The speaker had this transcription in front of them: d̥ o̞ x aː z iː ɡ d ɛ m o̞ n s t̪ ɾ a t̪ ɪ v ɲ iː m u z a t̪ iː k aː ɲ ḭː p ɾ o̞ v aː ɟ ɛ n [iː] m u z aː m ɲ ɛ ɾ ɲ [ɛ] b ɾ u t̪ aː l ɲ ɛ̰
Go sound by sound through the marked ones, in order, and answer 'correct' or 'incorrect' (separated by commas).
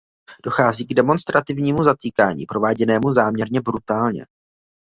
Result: incorrect, correct